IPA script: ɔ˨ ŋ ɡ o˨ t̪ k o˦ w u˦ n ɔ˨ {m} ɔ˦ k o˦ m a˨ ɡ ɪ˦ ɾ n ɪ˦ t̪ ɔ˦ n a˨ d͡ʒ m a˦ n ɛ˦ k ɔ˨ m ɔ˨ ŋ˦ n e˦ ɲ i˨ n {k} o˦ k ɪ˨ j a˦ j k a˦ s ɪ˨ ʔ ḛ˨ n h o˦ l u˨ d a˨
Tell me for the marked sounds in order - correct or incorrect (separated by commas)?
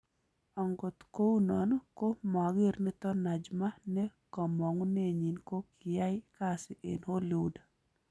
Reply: incorrect, correct